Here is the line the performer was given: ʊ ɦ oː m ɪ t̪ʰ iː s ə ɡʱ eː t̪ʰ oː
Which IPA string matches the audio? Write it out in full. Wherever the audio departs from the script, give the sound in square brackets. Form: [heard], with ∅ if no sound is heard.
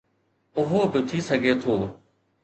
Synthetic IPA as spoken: ʊ ɦ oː [b] ɪ t̪ʰ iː s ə ɡʱ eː t̪ʰ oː